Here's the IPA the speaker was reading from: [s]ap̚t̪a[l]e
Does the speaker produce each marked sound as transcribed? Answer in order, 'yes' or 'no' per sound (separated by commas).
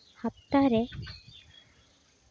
no, no